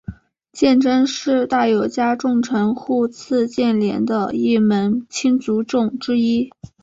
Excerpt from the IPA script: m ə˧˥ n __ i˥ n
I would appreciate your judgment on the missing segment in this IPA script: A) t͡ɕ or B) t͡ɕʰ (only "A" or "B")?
B